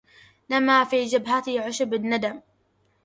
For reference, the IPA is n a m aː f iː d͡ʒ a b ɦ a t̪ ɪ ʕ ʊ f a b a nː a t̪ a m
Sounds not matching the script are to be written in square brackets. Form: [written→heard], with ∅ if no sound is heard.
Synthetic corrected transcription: n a m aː f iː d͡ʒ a b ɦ a t̪ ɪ ʕ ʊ [f→ʃ] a b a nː a [t̪→d̪] a m